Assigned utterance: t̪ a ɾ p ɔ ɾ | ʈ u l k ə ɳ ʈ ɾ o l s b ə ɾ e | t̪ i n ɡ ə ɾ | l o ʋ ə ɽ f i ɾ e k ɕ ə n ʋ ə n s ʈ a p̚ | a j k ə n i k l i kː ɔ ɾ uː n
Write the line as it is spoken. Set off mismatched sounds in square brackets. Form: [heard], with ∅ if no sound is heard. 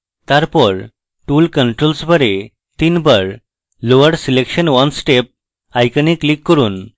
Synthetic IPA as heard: t̪ a ɾ p ɔ ɾ | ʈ u l k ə ɳ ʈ ɾ o l s b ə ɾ e | t̪ i n [b] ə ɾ | l o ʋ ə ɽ [s] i [l] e k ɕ ə n ʋ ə n s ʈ [e] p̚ | a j k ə n i k l i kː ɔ ɾ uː n